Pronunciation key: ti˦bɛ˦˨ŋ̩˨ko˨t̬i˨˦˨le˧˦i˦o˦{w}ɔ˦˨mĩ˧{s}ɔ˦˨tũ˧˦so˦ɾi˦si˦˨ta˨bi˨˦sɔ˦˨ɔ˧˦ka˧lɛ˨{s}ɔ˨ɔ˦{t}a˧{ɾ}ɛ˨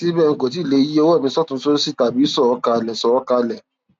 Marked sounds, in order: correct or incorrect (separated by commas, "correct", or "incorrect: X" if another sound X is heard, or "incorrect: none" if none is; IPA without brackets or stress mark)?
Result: correct, correct, correct, incorrect: k, incorrect: l